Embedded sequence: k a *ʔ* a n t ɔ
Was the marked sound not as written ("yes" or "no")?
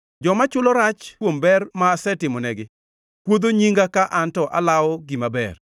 no